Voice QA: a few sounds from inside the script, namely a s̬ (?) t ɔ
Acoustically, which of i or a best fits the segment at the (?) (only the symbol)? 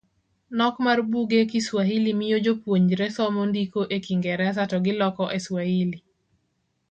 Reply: a